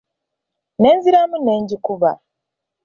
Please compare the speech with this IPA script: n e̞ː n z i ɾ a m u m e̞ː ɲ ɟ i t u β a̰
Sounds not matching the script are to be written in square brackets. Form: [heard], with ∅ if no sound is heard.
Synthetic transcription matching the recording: n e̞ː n z i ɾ a m u [n] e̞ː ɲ ɟ i [k] u β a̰